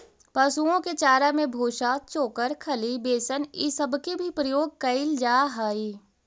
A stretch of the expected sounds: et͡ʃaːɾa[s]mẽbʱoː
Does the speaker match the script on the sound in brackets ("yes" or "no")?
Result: no